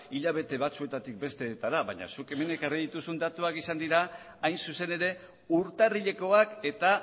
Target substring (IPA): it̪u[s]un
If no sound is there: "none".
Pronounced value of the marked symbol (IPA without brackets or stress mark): s